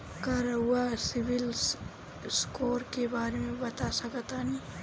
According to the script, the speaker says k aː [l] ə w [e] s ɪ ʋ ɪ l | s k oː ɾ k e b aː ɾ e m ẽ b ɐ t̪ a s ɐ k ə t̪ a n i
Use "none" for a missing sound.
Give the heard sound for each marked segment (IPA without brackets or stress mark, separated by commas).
ɾ, a